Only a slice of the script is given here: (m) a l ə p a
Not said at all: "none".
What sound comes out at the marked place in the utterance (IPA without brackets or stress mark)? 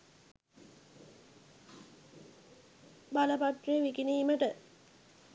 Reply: b